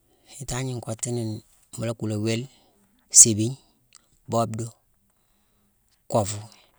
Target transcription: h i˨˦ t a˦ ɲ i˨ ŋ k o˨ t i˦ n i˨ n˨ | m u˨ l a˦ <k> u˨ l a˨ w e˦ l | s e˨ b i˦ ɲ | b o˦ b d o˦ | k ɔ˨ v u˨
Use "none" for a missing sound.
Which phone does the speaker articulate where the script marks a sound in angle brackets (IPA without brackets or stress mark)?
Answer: k